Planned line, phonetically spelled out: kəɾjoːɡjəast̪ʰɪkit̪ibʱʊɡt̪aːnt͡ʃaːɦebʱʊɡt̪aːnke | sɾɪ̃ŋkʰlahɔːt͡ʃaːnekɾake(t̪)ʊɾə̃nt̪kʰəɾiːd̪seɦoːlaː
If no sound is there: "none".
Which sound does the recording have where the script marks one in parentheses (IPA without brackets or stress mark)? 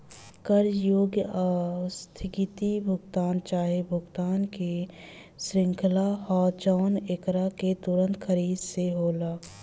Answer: t̪